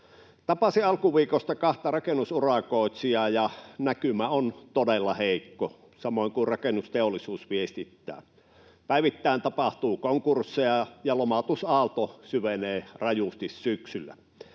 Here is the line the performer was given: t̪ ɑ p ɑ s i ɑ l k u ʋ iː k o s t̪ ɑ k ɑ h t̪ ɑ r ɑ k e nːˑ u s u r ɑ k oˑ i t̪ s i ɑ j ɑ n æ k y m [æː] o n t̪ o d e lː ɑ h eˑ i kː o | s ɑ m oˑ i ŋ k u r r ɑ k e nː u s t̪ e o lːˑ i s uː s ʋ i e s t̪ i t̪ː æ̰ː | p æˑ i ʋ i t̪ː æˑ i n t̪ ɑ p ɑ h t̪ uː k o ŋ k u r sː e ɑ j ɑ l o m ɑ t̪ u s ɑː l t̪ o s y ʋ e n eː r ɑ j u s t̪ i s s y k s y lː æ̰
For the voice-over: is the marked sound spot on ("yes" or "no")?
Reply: no